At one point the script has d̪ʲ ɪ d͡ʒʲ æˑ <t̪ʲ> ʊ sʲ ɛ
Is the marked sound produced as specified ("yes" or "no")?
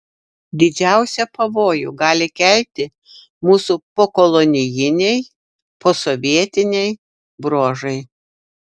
no